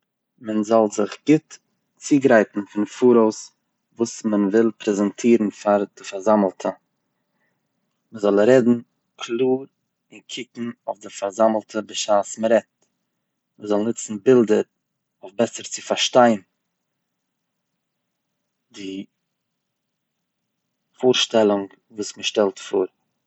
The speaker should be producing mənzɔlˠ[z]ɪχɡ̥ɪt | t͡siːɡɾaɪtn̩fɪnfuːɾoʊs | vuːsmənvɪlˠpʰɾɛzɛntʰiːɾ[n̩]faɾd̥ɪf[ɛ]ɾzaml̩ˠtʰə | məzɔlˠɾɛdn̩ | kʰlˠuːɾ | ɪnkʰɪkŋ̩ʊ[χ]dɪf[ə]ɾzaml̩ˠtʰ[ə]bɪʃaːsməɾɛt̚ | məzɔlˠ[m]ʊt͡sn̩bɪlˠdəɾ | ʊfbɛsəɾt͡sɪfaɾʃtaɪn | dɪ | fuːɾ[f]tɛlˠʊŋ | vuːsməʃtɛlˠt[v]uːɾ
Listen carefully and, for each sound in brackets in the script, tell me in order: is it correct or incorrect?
correct, correct, incorrect: a, incorrect: f, incorrect: a, correct, incorrect: n, incorrect: ʃ, incorrect: f

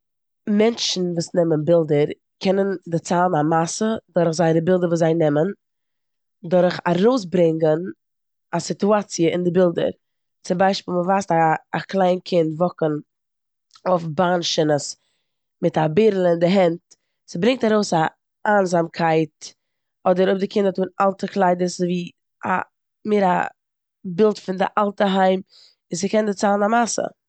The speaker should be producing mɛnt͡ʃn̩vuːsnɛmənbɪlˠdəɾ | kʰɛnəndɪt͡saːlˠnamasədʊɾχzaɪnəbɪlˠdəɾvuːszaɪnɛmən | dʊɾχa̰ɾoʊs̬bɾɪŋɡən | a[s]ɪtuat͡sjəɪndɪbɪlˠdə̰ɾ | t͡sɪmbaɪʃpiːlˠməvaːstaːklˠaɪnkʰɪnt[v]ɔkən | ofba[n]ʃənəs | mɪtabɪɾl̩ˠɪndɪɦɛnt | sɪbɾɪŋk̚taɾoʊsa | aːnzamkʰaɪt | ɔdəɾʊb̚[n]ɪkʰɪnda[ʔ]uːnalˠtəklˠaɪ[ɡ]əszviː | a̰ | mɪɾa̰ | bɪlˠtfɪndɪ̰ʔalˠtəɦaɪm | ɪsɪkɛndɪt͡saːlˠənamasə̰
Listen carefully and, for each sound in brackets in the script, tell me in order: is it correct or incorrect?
correct, correct, correct, incorrect: d, incorrect: t, incorrect: d

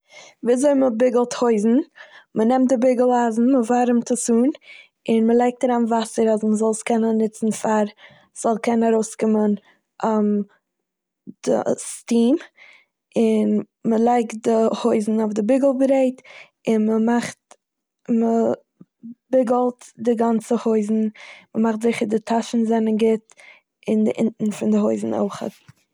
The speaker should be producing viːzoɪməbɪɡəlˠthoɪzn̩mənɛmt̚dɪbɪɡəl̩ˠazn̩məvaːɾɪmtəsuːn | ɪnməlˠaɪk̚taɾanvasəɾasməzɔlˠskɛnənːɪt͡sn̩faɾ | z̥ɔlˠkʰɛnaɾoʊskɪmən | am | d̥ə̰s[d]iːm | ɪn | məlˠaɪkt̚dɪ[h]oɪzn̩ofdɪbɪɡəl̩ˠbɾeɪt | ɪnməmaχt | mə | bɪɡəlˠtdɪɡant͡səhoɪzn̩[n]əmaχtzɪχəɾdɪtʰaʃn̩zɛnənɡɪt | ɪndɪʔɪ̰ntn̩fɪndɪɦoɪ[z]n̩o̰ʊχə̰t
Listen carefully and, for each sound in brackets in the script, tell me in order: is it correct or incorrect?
incorrect: t, correct, incorrect: m, correct

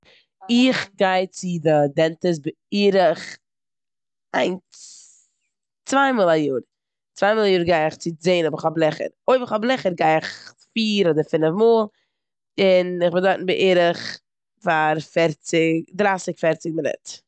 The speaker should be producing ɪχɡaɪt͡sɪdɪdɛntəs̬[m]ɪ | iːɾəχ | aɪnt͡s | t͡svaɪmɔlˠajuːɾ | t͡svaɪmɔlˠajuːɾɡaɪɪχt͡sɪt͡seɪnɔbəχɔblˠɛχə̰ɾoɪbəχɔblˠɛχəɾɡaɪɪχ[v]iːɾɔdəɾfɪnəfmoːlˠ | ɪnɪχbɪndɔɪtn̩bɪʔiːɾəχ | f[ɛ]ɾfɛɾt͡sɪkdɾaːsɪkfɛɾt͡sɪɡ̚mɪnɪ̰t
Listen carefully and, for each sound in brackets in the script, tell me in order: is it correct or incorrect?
incorrect: b, incorrect: f, incorrect: a

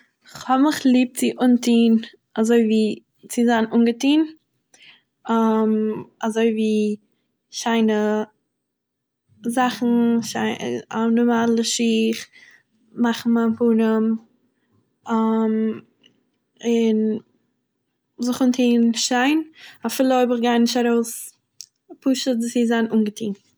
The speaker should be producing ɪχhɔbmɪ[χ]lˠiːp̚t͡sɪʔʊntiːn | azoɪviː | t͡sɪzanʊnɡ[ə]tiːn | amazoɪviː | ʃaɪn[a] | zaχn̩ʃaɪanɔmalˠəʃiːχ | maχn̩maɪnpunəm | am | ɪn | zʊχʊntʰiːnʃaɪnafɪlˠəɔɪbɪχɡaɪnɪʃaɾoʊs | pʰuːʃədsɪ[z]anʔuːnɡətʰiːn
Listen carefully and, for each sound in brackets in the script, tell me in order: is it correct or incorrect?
correct, correct, incorrect: ə, correct

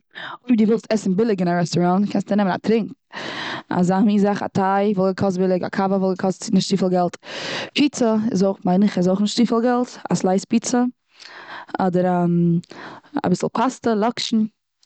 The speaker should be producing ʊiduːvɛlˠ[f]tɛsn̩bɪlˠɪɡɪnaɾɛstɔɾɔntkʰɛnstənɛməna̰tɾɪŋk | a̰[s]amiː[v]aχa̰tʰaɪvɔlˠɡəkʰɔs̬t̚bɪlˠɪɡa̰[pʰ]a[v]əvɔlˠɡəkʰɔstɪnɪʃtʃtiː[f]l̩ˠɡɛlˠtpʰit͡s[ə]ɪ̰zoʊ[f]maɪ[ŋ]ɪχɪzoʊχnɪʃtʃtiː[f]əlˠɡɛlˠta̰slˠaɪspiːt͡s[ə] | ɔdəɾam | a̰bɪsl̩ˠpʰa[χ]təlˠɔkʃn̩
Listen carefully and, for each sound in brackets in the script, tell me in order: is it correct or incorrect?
incorrect: s, incorrect: z, incorrect: z, incorrect: kʰ, correct, correct, correct, incorrect: χ, incorrect: n, correct, correct, incorrect: s

